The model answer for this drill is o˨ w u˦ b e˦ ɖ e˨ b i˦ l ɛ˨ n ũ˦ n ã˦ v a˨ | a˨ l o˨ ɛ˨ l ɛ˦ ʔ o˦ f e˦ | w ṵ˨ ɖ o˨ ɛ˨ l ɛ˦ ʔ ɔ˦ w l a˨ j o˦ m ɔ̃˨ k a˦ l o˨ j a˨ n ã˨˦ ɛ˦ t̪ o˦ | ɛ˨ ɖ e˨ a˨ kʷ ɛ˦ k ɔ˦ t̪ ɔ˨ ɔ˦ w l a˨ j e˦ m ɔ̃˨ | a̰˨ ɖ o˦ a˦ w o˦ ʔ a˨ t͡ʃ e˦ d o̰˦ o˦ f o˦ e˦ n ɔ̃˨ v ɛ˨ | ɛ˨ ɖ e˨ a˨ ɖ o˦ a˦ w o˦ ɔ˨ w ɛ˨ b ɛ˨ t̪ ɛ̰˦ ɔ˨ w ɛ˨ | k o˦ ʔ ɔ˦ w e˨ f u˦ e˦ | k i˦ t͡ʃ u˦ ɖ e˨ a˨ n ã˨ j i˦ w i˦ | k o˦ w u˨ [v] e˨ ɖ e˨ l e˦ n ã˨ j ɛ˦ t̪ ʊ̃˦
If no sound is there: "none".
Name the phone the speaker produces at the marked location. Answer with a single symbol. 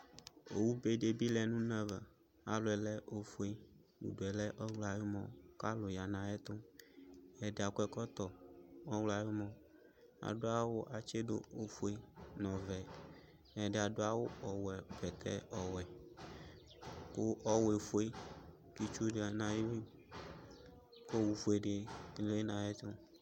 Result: f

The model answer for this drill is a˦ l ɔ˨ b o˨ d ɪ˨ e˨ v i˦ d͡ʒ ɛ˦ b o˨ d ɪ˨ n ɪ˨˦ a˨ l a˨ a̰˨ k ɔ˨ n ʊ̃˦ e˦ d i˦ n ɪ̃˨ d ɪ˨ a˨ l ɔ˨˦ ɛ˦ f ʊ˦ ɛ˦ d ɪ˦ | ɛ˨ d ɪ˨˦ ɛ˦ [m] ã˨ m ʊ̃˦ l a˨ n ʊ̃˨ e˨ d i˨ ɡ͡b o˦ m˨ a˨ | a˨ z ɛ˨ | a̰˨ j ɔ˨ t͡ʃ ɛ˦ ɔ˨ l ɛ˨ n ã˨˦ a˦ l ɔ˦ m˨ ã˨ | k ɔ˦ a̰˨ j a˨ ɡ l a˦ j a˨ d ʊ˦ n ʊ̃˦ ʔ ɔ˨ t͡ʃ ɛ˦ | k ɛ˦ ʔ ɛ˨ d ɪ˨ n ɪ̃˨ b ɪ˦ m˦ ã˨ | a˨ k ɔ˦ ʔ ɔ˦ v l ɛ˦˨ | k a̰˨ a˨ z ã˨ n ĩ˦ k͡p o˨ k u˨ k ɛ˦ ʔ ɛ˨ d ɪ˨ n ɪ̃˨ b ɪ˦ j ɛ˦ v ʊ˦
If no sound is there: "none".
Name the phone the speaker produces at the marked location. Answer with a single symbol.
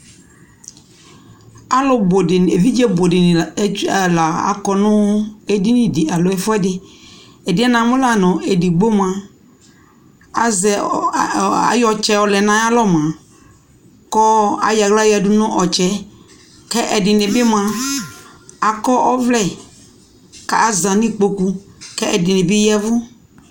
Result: n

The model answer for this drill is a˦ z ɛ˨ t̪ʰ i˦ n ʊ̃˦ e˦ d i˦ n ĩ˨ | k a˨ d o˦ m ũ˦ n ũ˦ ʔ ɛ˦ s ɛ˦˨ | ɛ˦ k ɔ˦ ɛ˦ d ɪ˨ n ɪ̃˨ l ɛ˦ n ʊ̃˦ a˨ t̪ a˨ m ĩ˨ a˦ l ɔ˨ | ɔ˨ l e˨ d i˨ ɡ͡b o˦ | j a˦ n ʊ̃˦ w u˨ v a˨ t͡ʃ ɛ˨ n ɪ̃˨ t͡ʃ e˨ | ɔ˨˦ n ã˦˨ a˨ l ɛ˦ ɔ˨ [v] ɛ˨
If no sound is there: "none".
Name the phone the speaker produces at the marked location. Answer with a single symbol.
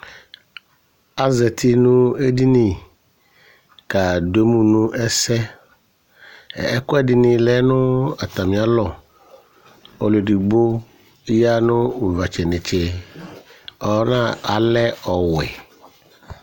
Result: w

